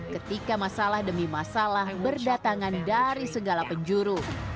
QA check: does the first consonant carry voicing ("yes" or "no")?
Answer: no